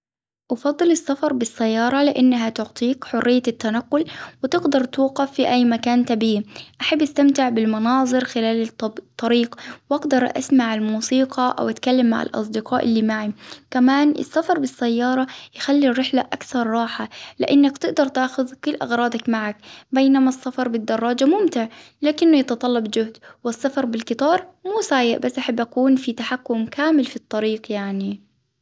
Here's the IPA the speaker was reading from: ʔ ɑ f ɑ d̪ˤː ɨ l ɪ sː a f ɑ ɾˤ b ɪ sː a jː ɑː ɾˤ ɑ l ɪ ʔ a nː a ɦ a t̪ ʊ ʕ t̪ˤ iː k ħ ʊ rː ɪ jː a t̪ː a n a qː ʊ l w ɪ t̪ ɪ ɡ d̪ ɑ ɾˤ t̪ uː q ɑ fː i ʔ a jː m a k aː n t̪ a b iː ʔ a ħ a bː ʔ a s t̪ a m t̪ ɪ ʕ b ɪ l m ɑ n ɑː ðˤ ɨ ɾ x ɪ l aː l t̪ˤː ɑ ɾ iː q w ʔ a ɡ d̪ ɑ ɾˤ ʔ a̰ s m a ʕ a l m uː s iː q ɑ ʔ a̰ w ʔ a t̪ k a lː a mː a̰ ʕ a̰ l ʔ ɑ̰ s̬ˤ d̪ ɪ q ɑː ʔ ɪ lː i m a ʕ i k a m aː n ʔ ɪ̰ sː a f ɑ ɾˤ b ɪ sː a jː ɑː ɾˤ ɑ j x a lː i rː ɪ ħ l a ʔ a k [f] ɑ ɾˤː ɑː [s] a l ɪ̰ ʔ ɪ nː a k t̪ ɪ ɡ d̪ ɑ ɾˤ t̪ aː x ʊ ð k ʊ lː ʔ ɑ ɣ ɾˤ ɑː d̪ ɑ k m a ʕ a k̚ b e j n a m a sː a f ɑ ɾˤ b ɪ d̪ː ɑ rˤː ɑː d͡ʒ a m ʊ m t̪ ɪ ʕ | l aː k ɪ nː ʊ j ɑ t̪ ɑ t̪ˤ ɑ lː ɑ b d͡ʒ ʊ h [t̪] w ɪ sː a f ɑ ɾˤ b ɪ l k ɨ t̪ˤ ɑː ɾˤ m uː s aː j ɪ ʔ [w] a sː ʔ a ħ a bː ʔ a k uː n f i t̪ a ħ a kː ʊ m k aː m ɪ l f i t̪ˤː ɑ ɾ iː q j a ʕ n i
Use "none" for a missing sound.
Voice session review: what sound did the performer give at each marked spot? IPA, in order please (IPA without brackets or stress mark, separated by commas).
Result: θ, ħ, d̪, b